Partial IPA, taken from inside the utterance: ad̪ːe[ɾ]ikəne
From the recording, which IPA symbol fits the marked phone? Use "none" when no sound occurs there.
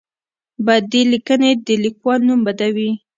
l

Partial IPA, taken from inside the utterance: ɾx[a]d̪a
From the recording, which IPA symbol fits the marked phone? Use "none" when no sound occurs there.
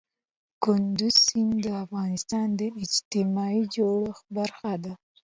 a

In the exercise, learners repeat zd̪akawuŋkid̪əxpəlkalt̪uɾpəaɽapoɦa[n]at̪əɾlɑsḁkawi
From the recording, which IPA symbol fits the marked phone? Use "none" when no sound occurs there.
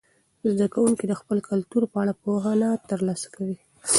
n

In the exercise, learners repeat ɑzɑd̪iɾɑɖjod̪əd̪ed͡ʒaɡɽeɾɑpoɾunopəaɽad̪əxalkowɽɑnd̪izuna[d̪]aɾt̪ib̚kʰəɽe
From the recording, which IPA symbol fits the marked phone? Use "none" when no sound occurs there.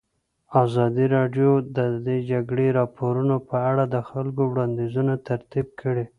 t̪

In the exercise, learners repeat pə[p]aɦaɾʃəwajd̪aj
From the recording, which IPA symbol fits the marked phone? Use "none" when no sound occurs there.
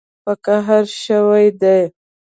k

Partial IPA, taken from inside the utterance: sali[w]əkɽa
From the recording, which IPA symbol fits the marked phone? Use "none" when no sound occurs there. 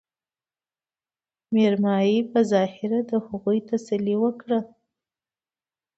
w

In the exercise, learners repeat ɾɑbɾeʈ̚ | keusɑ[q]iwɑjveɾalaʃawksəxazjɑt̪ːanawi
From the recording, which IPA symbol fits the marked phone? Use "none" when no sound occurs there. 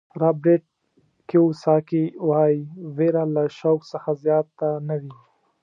k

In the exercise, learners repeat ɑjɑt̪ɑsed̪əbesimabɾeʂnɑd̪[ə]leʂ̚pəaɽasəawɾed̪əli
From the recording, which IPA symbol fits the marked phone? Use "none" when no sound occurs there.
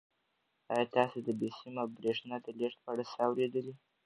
ə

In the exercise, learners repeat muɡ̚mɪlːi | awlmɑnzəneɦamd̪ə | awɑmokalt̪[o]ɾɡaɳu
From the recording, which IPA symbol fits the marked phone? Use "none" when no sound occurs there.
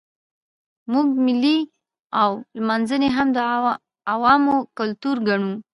u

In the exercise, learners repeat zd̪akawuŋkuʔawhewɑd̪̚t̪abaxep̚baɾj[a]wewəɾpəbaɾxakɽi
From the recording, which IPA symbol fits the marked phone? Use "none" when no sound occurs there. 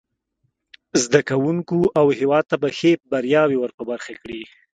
ɑ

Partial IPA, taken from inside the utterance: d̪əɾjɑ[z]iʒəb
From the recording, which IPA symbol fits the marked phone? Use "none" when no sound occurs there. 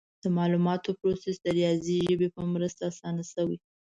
z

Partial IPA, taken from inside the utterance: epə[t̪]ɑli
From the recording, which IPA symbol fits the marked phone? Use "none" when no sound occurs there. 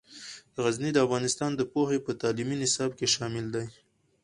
t̪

